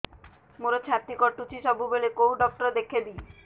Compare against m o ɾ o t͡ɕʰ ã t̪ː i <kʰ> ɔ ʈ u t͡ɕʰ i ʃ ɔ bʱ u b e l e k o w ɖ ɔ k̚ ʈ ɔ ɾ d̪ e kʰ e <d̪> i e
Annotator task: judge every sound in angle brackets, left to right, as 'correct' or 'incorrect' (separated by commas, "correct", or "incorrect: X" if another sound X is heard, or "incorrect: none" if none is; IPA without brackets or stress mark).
incorrect: k, correct